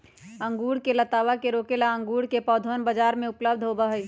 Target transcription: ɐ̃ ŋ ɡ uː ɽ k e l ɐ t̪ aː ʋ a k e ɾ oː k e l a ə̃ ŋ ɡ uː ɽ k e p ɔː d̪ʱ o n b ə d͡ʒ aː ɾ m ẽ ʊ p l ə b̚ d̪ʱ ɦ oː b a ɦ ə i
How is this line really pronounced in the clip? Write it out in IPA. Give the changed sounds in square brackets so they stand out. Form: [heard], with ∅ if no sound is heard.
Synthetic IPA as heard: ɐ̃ ŋ ɡ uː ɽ k e l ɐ t̪ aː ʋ a k e ɾ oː k e l a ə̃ ŋ ɡ uː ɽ k e p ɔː d̪ʱ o n b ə d͡ʒ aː ɾ m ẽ ʊ p l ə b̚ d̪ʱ ɦ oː b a ɦ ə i